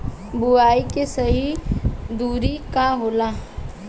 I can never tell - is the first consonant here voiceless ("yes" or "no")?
no